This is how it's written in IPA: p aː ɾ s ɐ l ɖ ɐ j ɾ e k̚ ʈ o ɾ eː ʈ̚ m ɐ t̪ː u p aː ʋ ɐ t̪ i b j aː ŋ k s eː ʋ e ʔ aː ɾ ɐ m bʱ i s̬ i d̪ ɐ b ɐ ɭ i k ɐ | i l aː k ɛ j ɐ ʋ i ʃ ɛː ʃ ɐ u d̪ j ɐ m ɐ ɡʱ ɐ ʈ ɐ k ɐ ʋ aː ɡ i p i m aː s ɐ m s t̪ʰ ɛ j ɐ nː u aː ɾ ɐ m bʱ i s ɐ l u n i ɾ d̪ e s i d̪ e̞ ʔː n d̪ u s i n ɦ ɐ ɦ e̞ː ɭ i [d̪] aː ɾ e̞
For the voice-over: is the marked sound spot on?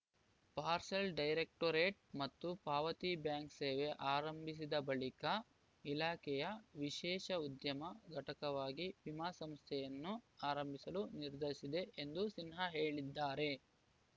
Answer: no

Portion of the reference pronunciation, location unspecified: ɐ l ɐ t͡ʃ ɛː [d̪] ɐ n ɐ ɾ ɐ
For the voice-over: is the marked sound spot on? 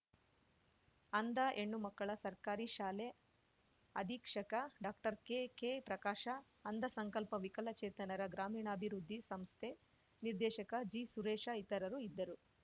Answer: no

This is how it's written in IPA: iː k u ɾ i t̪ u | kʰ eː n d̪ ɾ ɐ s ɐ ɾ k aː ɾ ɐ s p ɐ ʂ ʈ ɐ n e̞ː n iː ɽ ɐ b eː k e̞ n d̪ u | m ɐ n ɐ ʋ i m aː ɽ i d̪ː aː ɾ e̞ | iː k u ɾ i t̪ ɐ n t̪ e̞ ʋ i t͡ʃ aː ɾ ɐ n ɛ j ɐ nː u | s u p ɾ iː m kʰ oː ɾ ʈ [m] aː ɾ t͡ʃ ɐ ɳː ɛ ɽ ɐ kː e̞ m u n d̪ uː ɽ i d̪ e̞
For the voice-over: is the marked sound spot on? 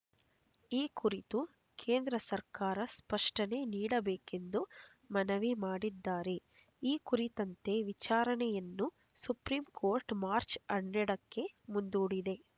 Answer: yes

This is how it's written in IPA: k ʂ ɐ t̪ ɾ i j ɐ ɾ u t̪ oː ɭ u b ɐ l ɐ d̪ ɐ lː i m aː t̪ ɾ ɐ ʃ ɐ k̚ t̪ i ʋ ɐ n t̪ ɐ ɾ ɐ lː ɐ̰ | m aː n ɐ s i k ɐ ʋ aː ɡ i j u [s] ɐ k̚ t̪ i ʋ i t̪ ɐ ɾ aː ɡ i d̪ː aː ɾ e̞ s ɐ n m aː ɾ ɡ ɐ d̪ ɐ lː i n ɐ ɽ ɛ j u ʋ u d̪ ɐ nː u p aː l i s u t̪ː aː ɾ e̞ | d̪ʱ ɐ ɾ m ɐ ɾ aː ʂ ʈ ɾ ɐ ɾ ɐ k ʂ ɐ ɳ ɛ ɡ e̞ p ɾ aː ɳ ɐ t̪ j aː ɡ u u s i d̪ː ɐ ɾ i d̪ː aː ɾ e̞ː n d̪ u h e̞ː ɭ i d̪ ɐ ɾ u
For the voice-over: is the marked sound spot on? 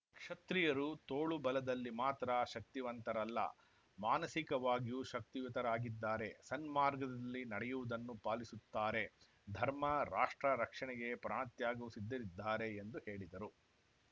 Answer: no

